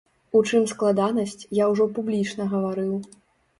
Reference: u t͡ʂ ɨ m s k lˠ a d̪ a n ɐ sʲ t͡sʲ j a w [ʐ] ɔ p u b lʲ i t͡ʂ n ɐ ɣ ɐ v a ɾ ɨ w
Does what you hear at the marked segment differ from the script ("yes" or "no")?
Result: no